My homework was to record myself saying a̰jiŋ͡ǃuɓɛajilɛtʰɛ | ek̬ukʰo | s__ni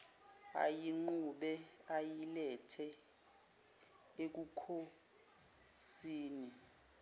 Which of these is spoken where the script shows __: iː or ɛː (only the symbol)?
iː